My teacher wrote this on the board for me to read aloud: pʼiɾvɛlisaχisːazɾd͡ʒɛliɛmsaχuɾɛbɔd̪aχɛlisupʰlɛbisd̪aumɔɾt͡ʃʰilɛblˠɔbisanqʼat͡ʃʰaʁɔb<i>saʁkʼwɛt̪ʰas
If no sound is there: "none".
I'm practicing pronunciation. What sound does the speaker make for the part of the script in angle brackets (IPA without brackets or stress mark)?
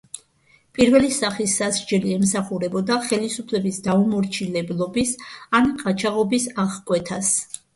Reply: i